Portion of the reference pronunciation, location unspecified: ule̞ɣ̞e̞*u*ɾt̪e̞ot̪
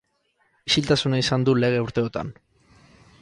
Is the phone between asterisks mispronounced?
no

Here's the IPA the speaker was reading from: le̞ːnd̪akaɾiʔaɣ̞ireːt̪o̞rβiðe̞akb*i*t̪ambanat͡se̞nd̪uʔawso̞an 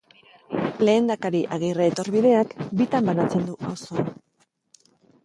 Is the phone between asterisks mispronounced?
no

